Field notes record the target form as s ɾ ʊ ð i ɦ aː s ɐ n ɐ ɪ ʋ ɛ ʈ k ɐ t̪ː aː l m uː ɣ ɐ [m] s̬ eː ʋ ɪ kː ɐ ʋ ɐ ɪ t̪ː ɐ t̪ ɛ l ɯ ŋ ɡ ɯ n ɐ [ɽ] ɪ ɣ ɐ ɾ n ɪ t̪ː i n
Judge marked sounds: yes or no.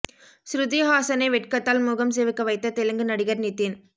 yes, yes

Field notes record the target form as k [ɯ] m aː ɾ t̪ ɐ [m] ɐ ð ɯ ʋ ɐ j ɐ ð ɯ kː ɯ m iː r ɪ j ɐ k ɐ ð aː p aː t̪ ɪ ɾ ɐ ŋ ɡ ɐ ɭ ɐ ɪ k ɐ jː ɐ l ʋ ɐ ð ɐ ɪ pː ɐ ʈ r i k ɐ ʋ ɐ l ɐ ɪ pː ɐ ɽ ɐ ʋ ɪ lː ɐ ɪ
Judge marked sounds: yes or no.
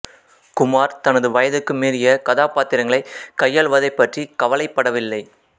no, no

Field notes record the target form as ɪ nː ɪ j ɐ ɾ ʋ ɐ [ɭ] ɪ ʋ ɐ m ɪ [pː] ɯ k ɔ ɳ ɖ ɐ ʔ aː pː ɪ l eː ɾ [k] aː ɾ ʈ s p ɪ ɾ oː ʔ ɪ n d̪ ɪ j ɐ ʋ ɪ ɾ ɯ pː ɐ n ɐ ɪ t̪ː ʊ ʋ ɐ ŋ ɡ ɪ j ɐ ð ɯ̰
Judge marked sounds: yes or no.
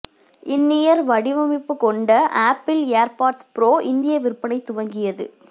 no, yes, no

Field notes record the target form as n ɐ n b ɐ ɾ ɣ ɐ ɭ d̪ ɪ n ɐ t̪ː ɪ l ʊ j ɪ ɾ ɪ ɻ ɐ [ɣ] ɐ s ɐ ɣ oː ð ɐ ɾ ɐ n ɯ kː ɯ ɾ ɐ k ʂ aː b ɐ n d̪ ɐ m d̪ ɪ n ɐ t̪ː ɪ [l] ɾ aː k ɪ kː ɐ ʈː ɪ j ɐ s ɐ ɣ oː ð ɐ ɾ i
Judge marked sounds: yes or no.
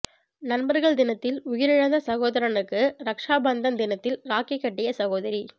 no, yes

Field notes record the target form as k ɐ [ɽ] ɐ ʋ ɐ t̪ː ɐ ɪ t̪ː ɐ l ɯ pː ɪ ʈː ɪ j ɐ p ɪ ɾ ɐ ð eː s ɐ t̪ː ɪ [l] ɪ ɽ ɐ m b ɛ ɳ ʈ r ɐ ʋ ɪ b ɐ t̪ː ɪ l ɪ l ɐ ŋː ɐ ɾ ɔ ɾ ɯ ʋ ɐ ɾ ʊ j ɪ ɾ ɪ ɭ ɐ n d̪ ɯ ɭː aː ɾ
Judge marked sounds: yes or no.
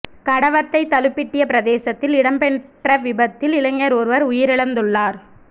yes, yes

